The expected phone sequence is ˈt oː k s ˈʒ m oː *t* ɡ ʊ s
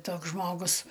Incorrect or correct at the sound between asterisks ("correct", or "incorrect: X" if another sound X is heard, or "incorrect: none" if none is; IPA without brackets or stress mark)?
incorrect: none